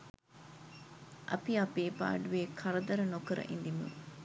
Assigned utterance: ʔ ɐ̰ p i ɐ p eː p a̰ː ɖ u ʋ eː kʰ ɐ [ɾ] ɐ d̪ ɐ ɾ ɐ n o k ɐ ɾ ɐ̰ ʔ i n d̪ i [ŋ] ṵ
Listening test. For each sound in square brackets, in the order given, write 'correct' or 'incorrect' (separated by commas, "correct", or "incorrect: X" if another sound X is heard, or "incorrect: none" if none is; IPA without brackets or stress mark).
correct, incorrect: m